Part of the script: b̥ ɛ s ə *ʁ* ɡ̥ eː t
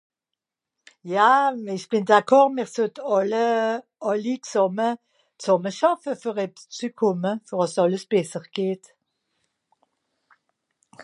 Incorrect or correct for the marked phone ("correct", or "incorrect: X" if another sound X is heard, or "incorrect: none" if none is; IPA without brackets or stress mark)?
correct